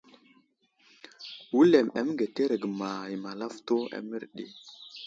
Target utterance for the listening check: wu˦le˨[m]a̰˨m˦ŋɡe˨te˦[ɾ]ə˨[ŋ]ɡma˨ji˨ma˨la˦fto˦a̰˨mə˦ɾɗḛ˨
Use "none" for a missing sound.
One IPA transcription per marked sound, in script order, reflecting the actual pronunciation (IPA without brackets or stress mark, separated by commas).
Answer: m, ɾ, none